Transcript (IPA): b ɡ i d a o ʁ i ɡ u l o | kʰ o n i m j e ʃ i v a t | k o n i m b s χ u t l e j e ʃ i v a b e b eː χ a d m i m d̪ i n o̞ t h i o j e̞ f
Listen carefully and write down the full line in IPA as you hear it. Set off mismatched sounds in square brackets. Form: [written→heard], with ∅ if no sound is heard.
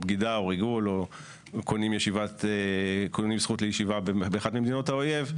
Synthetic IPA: b ɡ i d a o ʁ i ɡ u l o | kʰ o n i m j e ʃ i v a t | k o n i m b s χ u t l e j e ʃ i v a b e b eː χ a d m i m d̪ i n o̞ t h [i→a] o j e̞ [f→v]

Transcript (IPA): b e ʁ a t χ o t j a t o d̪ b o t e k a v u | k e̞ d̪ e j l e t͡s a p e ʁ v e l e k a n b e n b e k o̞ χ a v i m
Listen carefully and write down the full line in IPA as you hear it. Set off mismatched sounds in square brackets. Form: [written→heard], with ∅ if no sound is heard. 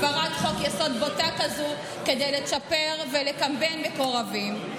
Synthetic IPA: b [e→a] ʁ a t χ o [t→k] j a [t→s] o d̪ b o t [e→a] k a [v→z] u | k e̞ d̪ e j l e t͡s a p e ʁ v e l e k a [n→m] b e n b e k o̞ [χ→ʁ] a v i m

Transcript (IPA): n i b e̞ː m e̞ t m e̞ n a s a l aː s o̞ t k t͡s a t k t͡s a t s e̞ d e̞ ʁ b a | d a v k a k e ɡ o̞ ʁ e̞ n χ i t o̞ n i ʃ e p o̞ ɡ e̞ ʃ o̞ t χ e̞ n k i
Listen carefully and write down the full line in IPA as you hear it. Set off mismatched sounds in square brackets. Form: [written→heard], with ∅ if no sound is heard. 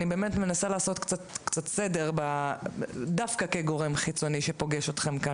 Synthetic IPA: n i b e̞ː m e̞ t m e̞ n a s a l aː s o̞ t k t͡s a t k t͡s a t s e̞ d e̞ ʁ b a | d a [v→f] k a k e ɡ o̞ ʁ e̞ [n→m] χ i [t→t͡s] o̞ n i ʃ e p o̞ ɡ e̞ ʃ o̞ t χ e̞ [n→m] k [i→a]

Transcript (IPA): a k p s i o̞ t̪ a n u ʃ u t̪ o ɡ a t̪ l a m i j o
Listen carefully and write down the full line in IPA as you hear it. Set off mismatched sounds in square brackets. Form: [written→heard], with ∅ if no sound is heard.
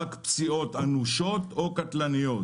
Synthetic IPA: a k p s i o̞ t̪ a n u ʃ [u→o] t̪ o [ɡ→k] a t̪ l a [m→n] i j o

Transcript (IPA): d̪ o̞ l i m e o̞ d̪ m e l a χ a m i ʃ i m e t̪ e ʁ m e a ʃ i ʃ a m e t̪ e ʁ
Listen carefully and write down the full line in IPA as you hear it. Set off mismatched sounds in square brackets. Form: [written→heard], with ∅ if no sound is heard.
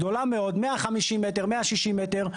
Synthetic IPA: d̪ o̞ l [i→a] m e o̞ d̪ m e [l→∅] a χ a m i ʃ i m e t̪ e ʁ m e a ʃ i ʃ [a→i] m e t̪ e ʁ

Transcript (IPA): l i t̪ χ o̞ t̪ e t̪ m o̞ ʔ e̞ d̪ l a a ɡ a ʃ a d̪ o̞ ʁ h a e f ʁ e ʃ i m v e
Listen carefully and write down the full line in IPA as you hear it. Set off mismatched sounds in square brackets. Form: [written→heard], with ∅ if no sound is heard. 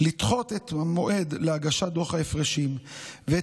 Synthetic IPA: l i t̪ χ o̞ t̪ e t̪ m o̞ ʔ e̞ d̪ l [a→e] a ɡ a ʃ a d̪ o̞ [ʁ→χ] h a e f ʁ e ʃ i m v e

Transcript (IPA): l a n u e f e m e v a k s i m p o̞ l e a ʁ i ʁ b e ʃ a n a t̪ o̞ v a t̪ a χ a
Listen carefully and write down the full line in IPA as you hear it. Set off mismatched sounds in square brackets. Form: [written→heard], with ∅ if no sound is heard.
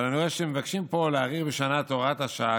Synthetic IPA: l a n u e [f→ʃ] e m e v a k [s→ʃ] i m p o̞ l e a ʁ i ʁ b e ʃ a n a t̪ o̞ [v→ʁ] a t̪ a [χ→ʃ] a

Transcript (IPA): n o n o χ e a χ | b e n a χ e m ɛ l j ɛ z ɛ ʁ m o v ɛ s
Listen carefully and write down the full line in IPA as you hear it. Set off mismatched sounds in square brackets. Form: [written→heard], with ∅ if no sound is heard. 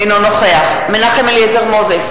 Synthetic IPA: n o n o χ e a χ | [b→m] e n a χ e m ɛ l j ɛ z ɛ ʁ m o [v→z] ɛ s

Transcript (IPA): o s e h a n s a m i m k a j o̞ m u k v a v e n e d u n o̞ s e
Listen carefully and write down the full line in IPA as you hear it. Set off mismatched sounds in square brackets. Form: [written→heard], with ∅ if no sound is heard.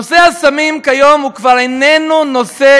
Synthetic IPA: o s e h a [n→∅] s a m i m k a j o̞ m u k v a [v→ʁ] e n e [d→n] u n o̞ s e

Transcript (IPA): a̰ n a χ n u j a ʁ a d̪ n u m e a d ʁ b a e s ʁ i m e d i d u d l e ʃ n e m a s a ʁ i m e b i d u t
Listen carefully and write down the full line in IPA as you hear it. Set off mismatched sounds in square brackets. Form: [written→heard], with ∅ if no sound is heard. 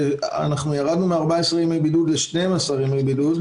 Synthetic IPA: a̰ n a χ n u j a ʁ a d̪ n u m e a [d→∅] ʁ b a e s ʁ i m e [d→b] i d u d l e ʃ n e m a s a ʁ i m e b i d u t

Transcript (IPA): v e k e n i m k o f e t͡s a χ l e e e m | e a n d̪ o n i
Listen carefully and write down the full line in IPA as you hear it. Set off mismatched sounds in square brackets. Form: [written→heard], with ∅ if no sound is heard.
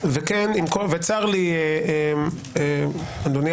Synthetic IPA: v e k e n i m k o [f→v] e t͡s a [χ→ʁ] l [e→i] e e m | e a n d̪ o n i

